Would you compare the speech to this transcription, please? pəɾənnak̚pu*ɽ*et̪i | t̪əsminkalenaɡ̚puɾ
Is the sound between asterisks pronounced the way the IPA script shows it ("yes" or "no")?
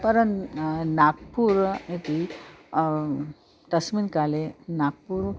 no